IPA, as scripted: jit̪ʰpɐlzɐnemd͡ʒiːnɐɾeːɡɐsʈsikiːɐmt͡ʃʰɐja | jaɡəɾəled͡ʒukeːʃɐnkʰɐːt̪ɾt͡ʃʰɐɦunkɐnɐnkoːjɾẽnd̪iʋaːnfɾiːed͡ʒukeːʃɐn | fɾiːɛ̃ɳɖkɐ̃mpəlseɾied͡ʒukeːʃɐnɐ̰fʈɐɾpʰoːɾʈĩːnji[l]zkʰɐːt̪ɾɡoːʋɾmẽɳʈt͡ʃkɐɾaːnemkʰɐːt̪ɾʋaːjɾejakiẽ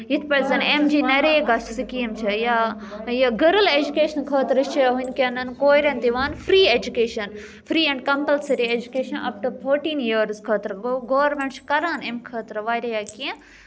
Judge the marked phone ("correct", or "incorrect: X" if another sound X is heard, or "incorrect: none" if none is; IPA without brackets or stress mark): incorrect: ɾ